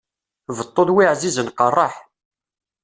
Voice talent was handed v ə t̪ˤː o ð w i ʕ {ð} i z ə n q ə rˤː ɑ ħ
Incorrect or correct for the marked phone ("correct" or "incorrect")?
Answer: incorrect